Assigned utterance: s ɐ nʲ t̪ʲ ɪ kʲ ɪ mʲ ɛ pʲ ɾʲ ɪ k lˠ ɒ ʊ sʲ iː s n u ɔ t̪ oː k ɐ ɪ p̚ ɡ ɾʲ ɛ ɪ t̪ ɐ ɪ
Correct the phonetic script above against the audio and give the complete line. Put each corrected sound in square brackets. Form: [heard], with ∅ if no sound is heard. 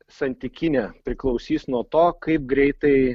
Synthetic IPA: s ɐ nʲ t̪ʲ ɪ kʲ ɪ [nʲ] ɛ pʲ ɾʲ ɪ k lˠ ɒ ʊ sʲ iː s n u ɔ t̪ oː k ɐ ɪ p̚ ɡ ɾʲ ɛ ɪ t̪ ɐ ɪ